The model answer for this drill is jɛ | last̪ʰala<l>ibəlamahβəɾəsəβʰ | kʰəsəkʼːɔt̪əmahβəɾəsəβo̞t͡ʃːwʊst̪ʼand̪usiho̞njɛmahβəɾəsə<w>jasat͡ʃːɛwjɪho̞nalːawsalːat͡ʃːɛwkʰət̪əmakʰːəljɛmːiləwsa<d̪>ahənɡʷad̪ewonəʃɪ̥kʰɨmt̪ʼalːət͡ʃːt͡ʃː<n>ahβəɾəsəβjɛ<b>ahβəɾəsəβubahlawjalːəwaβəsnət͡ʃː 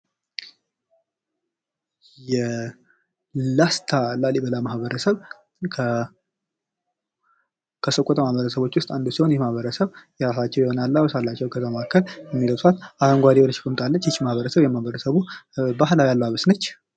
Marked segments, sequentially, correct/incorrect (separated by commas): correct, incorrect, incorrect, incorrect, incorrect